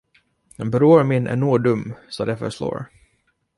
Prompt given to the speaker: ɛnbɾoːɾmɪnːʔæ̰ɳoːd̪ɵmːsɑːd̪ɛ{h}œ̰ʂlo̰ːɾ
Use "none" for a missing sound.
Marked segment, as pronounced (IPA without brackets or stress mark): f